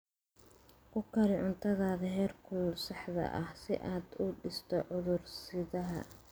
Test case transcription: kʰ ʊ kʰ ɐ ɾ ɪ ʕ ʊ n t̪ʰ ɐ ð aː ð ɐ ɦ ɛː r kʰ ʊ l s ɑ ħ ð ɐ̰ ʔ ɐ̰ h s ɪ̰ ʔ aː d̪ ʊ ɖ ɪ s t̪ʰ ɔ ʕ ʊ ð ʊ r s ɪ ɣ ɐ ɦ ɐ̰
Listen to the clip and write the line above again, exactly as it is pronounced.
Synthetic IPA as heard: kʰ ʊ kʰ ɐ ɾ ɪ ʕ ʊ n t̪ʰ ɐ ð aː ð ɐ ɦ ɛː r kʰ ʊ l s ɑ ħ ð ɐ̰ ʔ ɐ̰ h s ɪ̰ ʔ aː d̪ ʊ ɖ ɪ s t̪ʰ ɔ ʕ ʊ ð ʊ r s ɪ ð ɐ ɦ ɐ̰